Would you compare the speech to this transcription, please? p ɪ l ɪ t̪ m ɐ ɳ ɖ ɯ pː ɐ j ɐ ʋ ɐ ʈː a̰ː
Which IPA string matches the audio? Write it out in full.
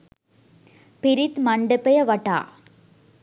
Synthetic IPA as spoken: p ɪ ɾ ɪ t̪ m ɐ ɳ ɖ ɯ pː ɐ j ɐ ʋ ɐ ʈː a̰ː